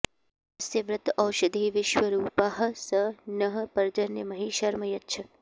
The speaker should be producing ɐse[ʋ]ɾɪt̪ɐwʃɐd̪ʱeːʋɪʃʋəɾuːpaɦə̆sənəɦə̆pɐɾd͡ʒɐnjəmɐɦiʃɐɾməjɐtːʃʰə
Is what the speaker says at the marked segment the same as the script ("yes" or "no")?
yes